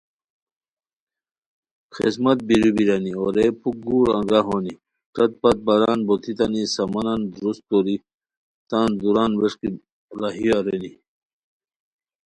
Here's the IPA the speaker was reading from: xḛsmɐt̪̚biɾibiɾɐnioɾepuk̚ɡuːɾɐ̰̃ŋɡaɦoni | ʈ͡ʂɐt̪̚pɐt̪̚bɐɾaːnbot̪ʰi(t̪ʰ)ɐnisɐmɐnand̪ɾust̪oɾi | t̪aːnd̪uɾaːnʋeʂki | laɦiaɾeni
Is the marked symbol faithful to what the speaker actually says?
no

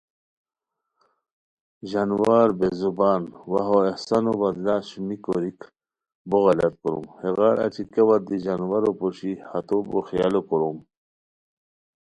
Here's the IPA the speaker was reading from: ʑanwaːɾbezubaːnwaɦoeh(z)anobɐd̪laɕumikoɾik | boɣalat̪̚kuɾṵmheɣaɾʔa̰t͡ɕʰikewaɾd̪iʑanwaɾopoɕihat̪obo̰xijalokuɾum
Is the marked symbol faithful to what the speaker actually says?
no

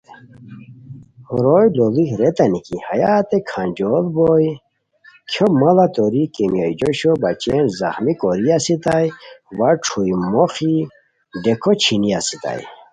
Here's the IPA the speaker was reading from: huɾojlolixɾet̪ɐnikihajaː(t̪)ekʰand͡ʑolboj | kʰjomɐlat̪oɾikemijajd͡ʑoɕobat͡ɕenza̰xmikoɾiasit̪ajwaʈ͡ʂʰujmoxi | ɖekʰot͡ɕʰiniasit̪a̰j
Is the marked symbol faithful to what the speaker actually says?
yes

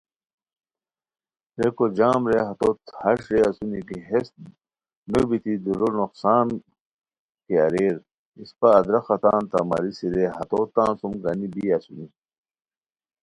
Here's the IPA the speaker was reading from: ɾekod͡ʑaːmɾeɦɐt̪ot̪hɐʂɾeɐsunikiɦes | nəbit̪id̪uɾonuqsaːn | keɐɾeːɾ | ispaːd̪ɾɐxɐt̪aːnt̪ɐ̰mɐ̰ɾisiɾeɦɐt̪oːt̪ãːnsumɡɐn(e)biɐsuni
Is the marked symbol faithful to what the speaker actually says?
no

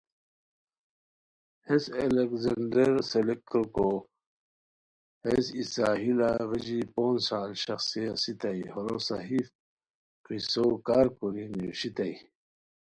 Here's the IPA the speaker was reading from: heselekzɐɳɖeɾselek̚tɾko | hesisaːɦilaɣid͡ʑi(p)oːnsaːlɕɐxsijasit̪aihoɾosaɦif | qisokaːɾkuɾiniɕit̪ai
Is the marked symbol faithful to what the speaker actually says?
yes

